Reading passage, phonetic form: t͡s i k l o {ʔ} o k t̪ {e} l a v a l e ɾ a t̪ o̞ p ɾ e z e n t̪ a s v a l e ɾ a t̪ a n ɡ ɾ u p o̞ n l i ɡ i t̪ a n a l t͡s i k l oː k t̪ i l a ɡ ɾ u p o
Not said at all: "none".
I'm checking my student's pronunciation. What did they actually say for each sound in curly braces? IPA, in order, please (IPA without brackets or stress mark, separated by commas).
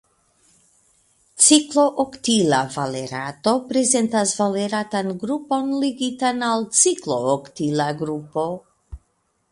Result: ʔ, i